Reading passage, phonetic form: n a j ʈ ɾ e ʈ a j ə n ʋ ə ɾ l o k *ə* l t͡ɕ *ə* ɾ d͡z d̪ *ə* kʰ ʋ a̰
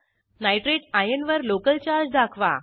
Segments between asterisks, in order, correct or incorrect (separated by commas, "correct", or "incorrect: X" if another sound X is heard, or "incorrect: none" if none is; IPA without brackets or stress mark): correct, incorrect: a, incorrect: a